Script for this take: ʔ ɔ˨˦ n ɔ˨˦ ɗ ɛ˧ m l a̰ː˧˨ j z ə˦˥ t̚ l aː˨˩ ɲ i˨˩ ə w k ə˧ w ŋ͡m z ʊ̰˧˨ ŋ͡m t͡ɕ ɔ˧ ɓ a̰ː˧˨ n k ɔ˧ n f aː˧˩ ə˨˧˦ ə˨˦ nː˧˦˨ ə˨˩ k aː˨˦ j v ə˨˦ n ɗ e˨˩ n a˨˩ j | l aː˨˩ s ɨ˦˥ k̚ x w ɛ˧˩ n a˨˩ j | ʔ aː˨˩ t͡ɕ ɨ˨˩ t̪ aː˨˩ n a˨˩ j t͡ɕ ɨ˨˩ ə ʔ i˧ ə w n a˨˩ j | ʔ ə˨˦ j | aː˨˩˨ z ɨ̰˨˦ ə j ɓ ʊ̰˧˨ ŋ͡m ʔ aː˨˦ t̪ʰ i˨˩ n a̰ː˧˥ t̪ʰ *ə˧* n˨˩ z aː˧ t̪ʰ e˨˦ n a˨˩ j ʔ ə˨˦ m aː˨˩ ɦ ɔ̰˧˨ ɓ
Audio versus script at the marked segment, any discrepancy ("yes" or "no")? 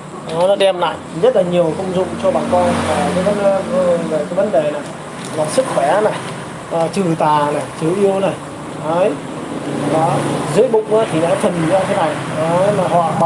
yes